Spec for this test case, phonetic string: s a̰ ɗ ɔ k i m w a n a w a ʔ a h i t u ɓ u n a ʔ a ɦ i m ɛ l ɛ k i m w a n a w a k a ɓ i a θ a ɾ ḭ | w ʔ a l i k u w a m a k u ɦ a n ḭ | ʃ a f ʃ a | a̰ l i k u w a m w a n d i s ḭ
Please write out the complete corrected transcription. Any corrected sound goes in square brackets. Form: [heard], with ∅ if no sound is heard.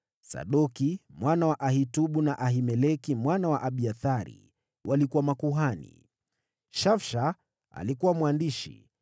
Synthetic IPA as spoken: s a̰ ɗ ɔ k i m w a n a w a ʔ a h i t u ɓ u n a ʔ a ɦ i m ɛ l ɛ k i m w a n a w a [ʔ] a ɓ i a θ a ɾ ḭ | w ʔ a l i k u w a m a k u ɦ a n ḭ | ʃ a f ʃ a | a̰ l i k u w a m w a n d i [ʃ] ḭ